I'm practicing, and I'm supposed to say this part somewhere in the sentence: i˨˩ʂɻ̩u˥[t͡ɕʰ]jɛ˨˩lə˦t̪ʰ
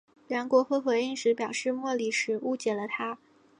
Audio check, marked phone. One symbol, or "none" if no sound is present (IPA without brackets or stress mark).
t͡ɕ